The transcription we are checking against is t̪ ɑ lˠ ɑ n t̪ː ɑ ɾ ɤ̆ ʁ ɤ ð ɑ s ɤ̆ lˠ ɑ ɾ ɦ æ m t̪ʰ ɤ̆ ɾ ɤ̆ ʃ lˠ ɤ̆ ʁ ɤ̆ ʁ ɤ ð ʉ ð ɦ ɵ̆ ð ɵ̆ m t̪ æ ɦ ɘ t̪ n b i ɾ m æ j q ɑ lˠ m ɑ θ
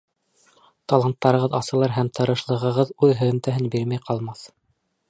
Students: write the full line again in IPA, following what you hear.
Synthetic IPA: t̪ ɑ lˠ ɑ n t̪ː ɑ ɾ ɤ̆ ʁ ɤ ð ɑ s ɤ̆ lˠ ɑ ɾ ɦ æ m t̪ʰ ɤ̆ ɾ ɤ̆ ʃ lˠ ɤ̆ ʁ ɤ̆ ʁ ɤ ð ʉ ð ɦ ɵ̆ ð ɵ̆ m t̪ æ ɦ ɘ n b i ɾ m æ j q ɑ lˠ m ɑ θ